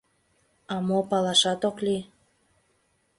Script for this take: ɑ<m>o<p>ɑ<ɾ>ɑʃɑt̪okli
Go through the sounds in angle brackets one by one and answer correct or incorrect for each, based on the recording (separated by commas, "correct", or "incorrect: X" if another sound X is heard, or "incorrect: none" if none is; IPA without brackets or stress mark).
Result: correct, correct, incorrect: l